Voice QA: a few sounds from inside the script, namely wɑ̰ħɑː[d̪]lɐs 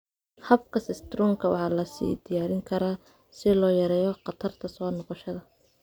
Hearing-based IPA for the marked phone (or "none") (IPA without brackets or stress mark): none